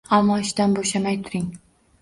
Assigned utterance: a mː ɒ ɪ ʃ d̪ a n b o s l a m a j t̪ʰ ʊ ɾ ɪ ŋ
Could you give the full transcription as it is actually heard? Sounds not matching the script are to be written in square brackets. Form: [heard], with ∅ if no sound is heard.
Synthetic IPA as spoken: a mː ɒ ɪ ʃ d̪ a n b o [ʃ] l a m a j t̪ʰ ʊ ɾ ɪ ŋ